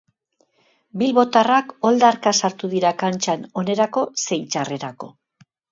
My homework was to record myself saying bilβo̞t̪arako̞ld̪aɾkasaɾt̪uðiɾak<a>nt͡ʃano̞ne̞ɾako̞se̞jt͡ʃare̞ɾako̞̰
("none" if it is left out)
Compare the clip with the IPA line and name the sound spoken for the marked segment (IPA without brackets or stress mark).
a